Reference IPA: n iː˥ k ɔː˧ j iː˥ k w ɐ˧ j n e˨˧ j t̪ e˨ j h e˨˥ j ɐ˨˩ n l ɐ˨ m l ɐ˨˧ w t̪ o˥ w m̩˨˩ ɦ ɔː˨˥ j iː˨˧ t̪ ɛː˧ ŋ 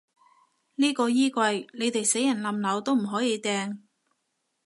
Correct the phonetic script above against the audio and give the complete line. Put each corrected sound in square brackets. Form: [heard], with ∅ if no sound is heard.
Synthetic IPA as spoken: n iː˥ k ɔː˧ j iː˥ k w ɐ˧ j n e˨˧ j t̪ e˨ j [s] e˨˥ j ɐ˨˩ n l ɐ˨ m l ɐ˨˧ w t̪ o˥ w m̩˨˩ ɦ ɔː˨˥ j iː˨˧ t̪ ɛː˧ ŋ